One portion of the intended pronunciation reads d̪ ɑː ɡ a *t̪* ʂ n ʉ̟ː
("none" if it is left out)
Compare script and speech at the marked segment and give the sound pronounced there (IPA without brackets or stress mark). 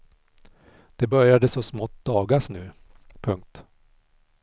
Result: none